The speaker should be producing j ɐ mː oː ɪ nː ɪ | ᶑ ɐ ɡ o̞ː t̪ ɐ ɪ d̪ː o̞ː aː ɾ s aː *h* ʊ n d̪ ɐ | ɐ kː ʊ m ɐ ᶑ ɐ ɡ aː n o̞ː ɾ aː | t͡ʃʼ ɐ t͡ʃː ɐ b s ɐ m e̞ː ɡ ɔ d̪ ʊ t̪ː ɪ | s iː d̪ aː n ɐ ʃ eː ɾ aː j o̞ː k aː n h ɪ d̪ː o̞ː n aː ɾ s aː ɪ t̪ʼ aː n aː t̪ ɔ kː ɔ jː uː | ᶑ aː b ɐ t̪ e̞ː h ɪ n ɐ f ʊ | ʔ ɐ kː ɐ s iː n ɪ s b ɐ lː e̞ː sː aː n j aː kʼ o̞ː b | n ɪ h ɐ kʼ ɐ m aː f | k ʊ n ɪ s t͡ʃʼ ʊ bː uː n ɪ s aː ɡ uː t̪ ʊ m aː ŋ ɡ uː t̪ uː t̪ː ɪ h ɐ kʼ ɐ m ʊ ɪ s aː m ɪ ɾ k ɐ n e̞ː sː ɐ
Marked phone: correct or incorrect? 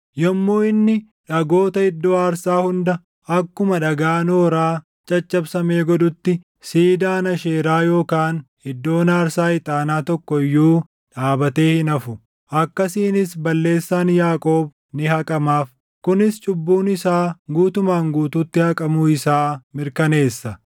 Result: correct